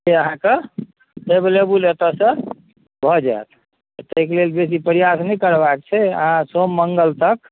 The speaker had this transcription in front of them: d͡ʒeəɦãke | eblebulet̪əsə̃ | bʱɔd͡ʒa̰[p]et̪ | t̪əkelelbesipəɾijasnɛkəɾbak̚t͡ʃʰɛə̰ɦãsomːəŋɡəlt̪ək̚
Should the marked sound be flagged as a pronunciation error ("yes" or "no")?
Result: yes